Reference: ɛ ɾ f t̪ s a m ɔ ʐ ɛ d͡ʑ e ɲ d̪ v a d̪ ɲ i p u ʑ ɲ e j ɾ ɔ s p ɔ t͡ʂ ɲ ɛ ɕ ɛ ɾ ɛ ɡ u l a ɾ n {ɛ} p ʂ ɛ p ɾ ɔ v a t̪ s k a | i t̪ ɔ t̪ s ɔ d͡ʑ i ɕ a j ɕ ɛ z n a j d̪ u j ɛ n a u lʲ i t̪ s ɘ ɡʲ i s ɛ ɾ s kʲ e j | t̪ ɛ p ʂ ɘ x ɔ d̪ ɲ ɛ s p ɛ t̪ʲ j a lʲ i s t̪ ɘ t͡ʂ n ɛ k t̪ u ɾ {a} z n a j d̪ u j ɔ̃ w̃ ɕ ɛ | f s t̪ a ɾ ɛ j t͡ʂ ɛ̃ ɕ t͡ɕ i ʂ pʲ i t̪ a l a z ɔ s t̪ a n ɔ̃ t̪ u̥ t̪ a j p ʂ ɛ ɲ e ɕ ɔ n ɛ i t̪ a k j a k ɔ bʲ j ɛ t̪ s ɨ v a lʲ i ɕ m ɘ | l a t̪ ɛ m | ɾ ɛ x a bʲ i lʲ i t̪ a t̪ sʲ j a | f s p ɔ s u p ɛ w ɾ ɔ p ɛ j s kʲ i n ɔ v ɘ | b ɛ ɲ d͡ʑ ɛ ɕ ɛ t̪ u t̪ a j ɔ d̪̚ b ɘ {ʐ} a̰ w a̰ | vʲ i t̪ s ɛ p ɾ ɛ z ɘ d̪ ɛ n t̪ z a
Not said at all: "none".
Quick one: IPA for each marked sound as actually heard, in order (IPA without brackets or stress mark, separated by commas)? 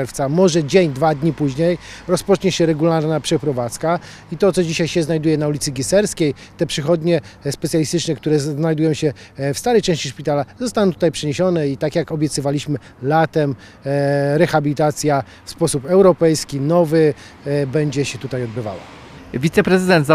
a, ɛ, v